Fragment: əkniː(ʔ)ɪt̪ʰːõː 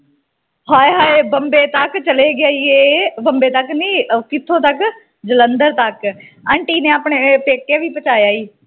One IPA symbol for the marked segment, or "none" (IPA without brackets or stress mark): k